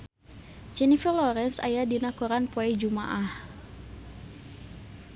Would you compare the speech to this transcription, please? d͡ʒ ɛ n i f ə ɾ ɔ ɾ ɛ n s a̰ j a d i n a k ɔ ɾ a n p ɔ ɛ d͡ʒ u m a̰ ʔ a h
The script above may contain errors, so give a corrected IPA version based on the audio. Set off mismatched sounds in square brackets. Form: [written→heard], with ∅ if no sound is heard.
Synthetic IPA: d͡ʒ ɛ n i f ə [ɾ→l] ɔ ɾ ɛ n s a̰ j a d i n a k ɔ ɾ a n p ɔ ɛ d͡ʒ u m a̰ ʔ a h